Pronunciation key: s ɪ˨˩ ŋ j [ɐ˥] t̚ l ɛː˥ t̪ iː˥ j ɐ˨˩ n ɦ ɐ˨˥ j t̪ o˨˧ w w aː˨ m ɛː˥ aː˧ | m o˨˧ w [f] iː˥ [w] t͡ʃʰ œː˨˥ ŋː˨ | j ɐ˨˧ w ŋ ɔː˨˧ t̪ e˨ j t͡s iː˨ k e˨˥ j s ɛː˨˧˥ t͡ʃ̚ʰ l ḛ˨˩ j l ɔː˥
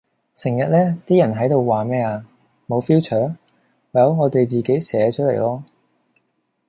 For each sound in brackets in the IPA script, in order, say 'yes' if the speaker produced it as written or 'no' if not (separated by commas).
no, yes, yes